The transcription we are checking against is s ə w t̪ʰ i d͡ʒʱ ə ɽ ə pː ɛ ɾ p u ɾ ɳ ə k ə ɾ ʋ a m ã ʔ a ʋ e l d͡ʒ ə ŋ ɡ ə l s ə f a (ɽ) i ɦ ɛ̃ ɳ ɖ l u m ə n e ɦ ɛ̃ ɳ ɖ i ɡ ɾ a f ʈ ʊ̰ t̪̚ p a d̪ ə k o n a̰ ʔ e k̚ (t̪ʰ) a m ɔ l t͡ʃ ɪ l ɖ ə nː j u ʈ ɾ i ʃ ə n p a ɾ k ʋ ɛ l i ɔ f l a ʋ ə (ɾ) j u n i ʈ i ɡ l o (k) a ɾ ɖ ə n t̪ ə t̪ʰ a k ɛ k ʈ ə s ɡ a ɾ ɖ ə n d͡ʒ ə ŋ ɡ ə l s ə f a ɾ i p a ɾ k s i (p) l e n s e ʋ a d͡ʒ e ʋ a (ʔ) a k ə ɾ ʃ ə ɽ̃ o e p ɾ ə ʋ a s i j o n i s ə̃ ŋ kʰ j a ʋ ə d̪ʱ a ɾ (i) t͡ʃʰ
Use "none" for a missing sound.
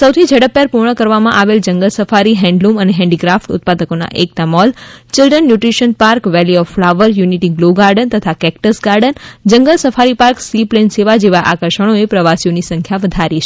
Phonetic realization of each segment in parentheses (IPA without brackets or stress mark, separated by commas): ɾ, t̪, ɾ, ɡ, p, ʔ, i